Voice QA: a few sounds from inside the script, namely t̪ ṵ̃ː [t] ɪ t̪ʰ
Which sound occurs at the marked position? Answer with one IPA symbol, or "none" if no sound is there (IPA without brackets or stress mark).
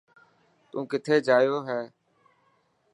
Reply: k